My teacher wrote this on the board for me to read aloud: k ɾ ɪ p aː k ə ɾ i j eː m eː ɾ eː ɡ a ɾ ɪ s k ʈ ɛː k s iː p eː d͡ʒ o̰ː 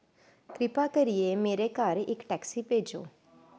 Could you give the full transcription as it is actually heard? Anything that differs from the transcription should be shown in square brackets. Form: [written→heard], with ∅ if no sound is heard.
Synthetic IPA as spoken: k ɾ ɪ p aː k ə ɾ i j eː m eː ɾ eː [ɡ→k] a ɾ ɪ [s→∅] k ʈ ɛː k s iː p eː d͡ʒ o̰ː